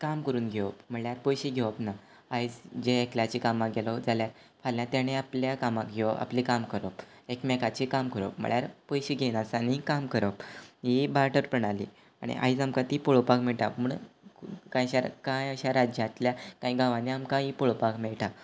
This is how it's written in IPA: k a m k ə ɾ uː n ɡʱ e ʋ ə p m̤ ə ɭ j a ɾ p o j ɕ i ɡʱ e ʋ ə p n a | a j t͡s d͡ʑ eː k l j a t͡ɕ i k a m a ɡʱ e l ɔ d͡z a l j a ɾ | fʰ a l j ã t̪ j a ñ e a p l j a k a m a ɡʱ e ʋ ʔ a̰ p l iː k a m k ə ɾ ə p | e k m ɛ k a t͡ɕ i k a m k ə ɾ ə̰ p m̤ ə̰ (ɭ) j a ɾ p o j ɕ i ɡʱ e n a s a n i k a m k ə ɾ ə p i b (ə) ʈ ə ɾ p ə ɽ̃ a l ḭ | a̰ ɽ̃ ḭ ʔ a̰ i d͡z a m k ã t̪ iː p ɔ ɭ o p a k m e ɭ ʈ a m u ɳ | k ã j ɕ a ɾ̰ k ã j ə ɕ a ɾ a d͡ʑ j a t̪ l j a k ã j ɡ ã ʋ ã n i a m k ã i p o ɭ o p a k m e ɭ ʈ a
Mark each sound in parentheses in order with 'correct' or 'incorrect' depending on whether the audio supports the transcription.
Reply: correct, incorrect

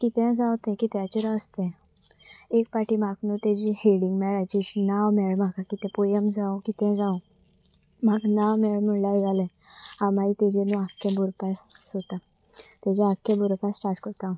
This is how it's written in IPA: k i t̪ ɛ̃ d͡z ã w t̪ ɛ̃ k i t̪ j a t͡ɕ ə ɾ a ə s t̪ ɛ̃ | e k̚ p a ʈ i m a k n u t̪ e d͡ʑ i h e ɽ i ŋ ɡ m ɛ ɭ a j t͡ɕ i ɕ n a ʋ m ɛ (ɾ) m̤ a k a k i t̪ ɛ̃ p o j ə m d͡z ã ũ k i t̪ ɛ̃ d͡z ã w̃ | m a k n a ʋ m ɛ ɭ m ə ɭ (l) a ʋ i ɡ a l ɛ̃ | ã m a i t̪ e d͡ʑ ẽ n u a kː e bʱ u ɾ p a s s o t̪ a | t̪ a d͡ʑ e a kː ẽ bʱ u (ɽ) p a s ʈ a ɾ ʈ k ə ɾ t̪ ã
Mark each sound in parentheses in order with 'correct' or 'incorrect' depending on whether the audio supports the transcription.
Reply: incorrect, correct, incorrect

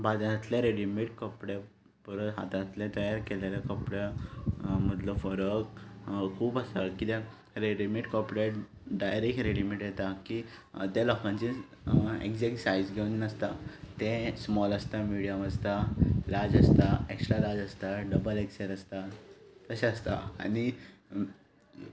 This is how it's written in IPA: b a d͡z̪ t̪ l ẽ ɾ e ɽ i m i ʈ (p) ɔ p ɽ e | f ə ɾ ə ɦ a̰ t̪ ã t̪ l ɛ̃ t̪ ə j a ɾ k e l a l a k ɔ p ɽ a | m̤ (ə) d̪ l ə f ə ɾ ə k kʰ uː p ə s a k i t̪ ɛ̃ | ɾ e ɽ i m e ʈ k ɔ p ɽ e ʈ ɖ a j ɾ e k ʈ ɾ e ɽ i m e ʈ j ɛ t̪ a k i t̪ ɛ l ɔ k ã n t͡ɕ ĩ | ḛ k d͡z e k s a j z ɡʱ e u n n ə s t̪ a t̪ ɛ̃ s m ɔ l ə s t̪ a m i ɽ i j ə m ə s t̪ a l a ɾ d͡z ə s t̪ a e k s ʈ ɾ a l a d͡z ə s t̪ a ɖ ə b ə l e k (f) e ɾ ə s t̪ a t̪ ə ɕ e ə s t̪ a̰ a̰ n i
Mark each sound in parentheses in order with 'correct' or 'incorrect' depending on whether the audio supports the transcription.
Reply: incorrect, correct, incorrect

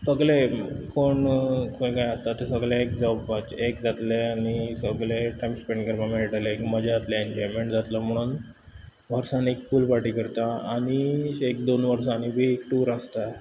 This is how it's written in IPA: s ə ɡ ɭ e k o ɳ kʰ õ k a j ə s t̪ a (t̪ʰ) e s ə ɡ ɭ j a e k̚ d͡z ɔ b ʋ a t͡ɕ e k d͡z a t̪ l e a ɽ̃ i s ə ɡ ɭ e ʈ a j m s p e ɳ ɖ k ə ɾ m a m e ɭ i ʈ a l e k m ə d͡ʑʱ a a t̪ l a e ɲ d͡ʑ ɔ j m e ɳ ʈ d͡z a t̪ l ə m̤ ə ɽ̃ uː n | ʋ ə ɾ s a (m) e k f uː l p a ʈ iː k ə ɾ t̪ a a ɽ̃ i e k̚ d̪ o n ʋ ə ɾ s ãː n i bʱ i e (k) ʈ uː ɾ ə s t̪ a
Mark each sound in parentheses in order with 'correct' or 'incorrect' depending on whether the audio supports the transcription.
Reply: incorrect, incorrect, correct

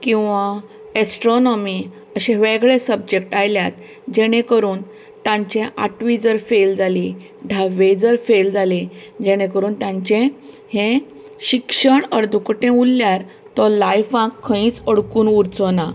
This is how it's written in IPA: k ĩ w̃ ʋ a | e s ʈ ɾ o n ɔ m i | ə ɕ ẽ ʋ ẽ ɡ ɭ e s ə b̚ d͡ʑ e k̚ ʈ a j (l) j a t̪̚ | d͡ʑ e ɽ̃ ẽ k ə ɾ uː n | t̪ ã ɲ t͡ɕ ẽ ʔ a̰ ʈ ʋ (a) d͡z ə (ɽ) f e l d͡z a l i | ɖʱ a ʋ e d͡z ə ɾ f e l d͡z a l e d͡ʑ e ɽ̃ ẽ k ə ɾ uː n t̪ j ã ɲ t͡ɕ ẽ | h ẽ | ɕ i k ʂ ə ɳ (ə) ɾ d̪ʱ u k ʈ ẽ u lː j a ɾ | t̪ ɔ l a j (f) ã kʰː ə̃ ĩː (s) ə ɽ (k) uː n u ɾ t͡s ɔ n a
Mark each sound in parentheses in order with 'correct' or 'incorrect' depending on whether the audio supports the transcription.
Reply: correct, incorrect, incorrect, correct, correct, incorrect, correct

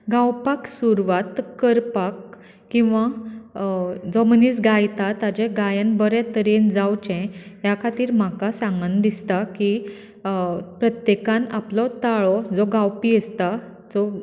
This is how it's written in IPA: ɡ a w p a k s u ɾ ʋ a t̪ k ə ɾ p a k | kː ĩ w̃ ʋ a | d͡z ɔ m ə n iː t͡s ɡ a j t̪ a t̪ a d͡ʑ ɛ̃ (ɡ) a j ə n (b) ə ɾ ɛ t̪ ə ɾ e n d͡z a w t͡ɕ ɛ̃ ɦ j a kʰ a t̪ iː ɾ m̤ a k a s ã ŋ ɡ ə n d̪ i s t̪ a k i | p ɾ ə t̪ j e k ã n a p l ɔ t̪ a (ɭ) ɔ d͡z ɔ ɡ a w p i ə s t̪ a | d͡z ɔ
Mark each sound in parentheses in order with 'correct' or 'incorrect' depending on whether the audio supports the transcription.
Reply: correct, correct, correct

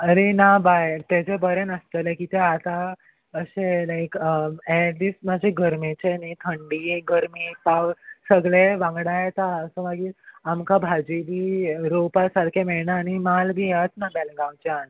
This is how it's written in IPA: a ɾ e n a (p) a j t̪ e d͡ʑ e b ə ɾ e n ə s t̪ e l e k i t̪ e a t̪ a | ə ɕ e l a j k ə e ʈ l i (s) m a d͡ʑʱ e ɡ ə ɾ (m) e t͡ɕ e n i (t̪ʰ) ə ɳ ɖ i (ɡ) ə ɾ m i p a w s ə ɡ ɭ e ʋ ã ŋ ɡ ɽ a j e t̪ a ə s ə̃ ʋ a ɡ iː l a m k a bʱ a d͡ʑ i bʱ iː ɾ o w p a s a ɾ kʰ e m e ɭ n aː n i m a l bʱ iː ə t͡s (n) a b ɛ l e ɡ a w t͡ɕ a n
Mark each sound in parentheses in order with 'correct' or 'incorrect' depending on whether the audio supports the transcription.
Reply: incorrect, correct, correct, correct, correct, correct

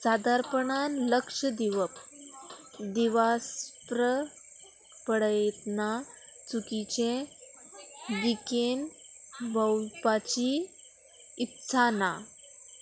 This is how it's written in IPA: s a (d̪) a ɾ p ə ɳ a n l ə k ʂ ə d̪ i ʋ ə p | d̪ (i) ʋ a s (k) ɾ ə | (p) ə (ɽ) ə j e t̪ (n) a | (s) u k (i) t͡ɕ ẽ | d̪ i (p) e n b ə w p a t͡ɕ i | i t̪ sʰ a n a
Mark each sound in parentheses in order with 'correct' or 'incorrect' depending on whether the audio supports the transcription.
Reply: correct, correct, incorrect, correct, correct, correct, incorrect, correct, incorrect

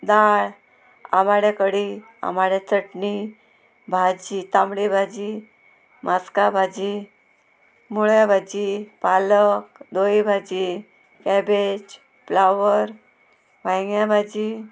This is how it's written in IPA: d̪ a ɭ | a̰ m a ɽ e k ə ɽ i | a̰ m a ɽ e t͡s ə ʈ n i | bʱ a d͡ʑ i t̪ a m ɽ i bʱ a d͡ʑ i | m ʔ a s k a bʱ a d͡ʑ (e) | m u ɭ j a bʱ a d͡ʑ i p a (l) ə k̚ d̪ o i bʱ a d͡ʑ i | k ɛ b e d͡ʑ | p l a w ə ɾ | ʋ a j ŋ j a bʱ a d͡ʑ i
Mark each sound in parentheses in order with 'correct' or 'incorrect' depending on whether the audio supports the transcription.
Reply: incorrect, correct

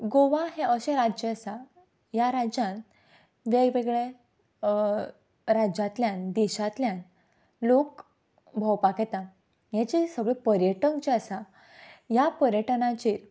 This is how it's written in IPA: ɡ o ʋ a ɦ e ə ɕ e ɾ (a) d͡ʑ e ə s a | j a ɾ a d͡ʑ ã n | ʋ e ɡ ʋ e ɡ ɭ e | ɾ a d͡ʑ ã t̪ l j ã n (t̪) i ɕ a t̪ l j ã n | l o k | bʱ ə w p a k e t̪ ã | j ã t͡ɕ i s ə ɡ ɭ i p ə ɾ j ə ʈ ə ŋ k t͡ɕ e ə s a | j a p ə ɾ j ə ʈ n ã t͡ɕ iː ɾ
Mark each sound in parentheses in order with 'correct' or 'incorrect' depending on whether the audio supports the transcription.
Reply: correct, incorrect

